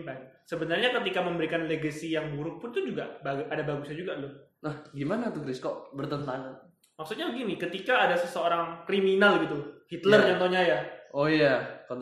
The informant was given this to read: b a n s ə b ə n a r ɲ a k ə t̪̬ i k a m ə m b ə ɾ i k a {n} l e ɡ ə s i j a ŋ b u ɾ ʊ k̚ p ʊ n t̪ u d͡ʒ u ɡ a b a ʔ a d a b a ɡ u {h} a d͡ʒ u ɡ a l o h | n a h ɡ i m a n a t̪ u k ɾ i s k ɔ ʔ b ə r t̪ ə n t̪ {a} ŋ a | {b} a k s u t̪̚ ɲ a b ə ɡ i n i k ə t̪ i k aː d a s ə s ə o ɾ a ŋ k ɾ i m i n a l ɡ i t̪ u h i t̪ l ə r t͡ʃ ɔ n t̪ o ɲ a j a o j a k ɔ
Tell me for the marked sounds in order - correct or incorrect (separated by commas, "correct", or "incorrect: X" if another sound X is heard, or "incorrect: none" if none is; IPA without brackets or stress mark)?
correct, incorrect: s, correct, incorrect: m